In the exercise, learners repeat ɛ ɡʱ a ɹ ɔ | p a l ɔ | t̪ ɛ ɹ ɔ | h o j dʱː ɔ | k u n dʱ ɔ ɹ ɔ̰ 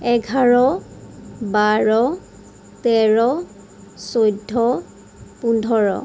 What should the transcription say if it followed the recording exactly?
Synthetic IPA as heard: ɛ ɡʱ a ɹ ɔ | b a ɹ ɔ | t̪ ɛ ɹ ɔ | s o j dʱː ɔ | p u n dʱ ɔ ɹ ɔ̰